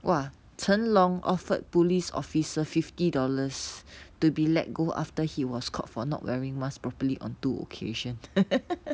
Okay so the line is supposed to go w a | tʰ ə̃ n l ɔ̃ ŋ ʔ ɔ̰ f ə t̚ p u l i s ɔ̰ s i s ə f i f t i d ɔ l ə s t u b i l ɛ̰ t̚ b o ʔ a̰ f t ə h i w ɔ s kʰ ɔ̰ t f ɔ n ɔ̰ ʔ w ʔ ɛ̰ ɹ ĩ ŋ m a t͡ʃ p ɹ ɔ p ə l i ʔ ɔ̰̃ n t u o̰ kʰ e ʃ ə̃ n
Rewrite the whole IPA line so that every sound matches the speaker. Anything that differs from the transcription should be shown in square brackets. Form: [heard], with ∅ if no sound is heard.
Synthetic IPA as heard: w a | tʰ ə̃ n l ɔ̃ ŋ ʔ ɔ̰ f ə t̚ p u l i s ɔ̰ [f] i s ə f i f t i d ɔ l ə s t u b i l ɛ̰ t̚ [ɡ] o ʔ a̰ f t ə h i w ɔ s kʰ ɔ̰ t f ɔ n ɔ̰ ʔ w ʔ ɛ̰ ɹ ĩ ŋ m a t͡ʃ p ɹ ɔ p ə l i ʔ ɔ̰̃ n t u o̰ kʰ e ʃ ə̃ n